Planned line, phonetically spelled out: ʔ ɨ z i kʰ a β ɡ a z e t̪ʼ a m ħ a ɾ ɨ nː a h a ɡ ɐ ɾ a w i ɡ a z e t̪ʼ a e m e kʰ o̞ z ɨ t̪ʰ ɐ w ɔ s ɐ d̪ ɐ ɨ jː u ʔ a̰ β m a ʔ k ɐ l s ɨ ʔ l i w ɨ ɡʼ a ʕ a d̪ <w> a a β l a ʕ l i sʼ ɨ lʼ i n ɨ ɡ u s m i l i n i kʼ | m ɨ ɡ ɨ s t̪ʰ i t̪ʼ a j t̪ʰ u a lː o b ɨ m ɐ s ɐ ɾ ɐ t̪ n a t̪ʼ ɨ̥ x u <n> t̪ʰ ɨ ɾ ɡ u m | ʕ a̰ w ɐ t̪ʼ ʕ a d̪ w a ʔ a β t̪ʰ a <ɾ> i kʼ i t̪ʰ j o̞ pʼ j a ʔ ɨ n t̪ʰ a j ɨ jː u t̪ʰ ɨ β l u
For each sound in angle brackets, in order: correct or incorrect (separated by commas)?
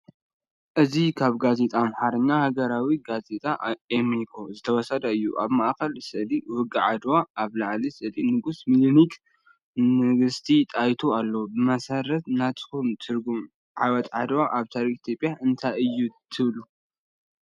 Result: correct, incorrect, correct